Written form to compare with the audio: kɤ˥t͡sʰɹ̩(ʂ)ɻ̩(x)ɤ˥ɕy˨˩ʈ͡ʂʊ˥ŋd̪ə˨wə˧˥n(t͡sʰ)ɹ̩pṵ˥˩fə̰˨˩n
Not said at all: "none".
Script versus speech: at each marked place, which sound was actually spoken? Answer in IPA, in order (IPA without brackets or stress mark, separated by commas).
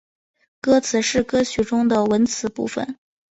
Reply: ʂ, k, t͡sʰ